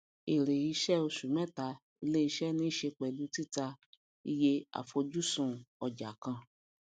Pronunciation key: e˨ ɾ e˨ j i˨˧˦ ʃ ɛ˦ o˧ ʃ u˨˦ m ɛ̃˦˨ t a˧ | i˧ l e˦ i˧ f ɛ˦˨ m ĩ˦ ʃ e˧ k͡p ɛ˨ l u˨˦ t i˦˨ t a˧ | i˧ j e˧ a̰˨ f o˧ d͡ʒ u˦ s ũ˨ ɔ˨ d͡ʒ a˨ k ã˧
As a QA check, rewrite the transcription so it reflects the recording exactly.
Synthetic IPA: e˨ ɾ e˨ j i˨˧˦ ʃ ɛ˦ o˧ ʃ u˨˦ m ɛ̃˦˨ t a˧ | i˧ l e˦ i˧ ʃ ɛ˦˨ n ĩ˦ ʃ e˧ k͡p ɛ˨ l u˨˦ t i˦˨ t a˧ | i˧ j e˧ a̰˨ f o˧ d͡ʒ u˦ s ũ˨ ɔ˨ d͡ʒ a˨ k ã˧